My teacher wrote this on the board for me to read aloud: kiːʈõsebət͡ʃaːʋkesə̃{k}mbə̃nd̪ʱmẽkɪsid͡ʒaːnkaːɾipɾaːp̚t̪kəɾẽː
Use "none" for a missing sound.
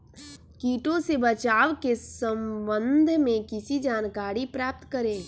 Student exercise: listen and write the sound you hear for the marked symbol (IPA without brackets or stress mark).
none